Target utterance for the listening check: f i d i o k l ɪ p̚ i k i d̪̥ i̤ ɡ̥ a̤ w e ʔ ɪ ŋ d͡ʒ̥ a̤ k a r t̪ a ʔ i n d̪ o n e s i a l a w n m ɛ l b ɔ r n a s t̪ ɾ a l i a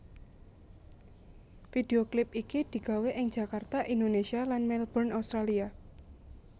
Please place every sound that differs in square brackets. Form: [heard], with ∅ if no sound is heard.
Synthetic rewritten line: f i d [e] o k l ɪ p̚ i k i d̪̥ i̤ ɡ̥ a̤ w e ʔ ɪ ŋ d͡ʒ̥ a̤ k a r t̪ a ʔ i n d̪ o n e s i a l a [∅] n m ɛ l b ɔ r n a s t̪ ɾ a l i a